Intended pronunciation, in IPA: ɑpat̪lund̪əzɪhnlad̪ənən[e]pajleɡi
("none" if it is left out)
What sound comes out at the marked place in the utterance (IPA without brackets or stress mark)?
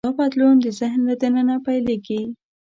a